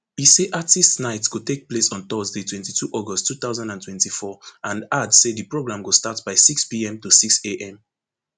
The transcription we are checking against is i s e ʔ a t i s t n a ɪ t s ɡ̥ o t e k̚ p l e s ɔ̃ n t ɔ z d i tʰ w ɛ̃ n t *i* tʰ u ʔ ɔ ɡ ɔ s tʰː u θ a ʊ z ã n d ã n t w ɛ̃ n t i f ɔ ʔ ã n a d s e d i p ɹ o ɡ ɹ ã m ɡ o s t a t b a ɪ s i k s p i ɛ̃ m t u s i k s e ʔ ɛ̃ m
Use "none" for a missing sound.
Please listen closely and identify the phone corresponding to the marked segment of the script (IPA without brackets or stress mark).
i